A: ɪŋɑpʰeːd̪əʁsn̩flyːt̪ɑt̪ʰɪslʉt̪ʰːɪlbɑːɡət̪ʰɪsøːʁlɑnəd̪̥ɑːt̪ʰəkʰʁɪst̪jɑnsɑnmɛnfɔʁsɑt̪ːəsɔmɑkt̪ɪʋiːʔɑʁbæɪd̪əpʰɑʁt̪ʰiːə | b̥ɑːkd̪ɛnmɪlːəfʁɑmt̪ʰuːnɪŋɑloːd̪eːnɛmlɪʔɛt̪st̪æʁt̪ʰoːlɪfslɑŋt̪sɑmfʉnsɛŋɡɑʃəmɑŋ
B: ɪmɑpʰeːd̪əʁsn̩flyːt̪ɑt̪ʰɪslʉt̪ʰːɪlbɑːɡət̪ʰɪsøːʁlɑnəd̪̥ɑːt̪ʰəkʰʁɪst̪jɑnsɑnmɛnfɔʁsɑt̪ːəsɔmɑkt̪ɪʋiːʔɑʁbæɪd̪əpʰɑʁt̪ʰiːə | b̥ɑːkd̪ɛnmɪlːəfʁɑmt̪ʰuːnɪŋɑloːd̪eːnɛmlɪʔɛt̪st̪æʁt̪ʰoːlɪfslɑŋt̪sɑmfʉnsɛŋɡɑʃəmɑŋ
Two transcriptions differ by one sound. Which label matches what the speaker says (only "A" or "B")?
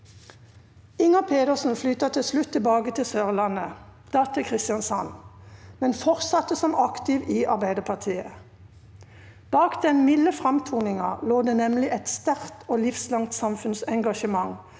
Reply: A